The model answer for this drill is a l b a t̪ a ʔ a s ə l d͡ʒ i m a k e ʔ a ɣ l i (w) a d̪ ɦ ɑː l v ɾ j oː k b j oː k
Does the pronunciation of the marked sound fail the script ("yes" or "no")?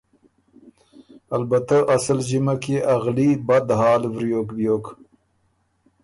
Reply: yes